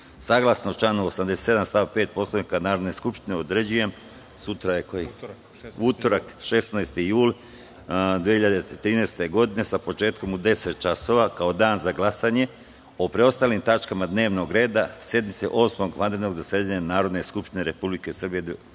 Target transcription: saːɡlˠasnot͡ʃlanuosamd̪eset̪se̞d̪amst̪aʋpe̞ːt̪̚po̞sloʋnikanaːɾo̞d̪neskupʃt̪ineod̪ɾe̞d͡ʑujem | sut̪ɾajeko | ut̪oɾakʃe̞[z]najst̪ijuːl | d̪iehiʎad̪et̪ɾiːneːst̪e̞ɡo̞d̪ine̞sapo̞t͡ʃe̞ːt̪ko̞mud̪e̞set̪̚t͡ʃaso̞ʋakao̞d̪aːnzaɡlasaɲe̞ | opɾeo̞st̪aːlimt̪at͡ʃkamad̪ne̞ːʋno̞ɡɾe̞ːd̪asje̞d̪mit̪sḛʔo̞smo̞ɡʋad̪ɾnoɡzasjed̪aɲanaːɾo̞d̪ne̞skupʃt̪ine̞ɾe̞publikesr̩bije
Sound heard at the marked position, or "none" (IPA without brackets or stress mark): s